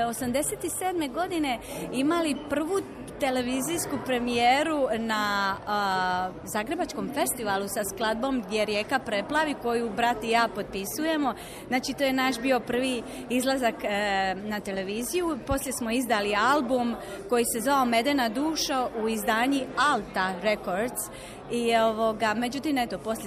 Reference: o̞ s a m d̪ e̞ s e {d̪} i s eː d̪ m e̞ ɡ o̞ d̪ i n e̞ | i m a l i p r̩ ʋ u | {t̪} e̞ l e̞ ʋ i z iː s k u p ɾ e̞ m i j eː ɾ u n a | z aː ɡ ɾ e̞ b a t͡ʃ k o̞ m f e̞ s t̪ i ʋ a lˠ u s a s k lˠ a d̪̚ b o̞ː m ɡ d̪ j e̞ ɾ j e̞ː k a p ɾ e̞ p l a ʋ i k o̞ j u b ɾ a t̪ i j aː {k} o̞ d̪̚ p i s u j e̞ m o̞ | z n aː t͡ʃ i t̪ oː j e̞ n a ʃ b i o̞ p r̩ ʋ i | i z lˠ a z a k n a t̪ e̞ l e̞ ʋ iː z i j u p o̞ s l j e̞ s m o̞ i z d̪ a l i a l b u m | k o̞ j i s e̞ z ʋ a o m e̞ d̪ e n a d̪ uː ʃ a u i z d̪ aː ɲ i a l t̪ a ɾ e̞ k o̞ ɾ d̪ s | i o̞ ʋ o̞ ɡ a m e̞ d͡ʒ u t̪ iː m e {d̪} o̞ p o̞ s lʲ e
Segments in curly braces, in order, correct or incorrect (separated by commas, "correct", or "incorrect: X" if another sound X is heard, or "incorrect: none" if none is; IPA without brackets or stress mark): incorrect: t̪, correct, incorrect: p, incorrect: t̪